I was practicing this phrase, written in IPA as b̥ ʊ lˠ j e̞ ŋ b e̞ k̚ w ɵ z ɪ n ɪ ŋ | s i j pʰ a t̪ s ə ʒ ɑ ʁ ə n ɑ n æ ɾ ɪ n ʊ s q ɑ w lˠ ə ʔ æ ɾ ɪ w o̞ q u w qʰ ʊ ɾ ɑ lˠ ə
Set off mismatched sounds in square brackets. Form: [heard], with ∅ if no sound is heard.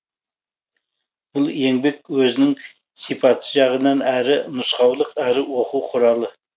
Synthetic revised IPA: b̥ ʊ lˠ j e̞ ŋ b e̞ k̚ w ɵ z ɪ n ɪ ŋ | s i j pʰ [ɑ] t̪ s ə ʒ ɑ ʁ ə n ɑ n æ ɾ ɪ n ʊ s q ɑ w lˠ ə [q] æ ɾ ɪ w o̞ q u w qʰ ʊ ɾ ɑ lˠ ə